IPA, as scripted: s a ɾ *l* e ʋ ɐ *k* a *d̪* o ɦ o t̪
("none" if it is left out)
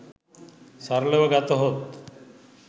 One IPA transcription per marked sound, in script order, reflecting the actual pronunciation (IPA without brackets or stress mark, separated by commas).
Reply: l, ɡ, t̪